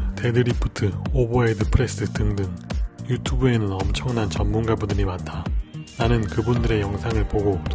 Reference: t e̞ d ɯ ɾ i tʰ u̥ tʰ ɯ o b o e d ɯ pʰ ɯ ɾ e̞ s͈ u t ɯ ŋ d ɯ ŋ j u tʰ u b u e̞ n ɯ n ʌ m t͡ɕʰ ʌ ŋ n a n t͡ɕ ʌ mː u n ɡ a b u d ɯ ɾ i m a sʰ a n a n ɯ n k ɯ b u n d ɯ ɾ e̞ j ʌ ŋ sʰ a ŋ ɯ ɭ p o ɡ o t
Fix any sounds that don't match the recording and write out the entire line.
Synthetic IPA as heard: t e̞ d ɯ ɾ i pʰ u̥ tʰ ɯ o b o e d ɯ pʰ ɯ ɾ e̞ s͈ ɯ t ɯ ŋ d ɯ ŋ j u tʰ u b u e̞ n ɯ n ʌ m t͡ɕʰ ʌ ŋ n a n t͡ɕ ʌ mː u n ɡ a b u d ɯ ɾ i m a tʰ a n a n ɯ n k ɯ b u n d ɯ ɾ e̞ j ʌ ŋ sʰ a ŋ ɯ ɭ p o ɡ o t